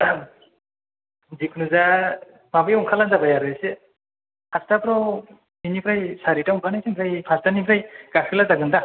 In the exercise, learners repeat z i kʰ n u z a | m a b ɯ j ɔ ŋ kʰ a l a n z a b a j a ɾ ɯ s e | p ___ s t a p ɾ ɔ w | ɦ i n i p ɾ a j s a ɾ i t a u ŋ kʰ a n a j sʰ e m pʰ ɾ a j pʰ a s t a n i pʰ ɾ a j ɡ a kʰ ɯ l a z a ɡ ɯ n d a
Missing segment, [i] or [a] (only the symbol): a